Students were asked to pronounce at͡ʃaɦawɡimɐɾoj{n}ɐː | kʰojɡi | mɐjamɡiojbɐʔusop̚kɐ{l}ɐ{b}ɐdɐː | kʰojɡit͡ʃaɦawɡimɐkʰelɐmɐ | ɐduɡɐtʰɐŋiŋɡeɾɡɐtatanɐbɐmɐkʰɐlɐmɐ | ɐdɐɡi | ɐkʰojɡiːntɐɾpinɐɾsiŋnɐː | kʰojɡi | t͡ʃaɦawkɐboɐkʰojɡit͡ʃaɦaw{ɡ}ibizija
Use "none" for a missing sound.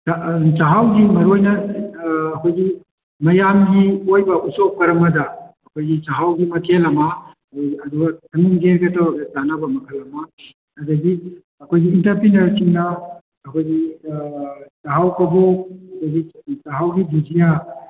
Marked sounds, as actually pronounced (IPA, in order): n, ɾ, m, ɡ

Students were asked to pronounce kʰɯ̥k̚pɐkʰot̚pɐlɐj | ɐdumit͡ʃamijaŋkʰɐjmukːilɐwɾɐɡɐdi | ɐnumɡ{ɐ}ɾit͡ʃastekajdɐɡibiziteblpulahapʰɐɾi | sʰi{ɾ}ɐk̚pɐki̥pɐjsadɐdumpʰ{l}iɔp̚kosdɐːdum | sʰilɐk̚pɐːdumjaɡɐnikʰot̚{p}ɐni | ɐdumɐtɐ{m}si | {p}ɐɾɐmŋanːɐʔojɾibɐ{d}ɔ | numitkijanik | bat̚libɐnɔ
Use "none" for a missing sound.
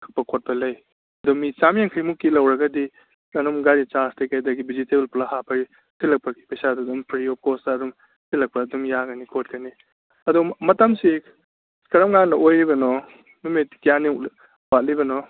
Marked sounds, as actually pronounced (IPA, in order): a, l, ɾ, k, m, k, n

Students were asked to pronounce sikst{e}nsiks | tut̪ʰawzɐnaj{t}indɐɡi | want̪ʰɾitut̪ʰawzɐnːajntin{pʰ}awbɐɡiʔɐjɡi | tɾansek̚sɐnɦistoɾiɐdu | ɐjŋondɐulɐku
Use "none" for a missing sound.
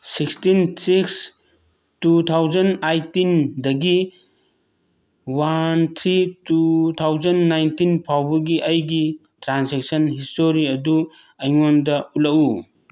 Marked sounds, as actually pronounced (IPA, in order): i, t, pʰ

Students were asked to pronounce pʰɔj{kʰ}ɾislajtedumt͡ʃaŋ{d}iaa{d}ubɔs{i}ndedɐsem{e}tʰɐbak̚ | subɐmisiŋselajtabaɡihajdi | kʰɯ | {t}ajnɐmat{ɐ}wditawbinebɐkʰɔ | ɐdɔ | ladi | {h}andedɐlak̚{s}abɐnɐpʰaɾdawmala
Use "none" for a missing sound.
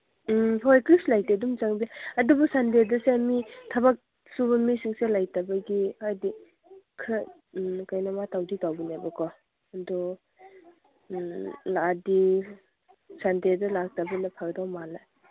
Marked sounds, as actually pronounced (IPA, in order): k, b, d, a, i, k, a, s, t

